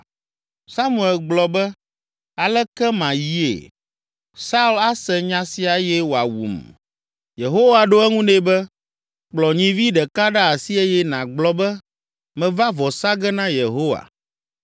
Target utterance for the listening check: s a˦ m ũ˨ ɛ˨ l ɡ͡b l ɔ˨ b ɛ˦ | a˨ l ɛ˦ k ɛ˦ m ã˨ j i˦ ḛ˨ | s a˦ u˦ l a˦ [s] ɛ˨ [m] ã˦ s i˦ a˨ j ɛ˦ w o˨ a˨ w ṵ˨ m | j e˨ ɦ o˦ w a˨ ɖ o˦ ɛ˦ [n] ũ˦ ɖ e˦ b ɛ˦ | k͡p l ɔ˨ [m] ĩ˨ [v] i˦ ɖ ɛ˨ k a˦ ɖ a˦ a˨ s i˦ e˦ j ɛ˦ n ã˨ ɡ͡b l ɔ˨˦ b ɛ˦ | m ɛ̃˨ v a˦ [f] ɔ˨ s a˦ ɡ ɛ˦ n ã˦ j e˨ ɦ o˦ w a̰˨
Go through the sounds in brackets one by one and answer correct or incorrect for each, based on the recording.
correct, incorrect, incorrect, incorrect, correct, incorrect

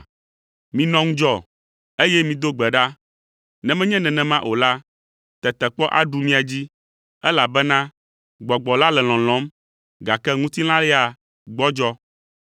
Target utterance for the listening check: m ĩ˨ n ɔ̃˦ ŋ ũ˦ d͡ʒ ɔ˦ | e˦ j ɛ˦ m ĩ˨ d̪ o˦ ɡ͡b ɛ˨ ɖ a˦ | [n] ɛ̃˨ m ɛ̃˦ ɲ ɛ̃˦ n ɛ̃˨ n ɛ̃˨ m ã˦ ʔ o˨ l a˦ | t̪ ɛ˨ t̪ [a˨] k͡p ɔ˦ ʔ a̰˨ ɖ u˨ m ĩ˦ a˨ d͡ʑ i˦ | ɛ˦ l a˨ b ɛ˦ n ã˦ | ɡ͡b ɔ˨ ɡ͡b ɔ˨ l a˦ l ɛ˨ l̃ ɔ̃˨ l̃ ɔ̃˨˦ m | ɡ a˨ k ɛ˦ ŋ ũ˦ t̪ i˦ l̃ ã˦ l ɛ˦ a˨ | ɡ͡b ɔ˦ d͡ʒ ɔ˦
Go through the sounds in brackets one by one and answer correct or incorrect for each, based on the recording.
correct, incorrect

